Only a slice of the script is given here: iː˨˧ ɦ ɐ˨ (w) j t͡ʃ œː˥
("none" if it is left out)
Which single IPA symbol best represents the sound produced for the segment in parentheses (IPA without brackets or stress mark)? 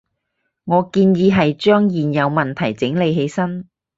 none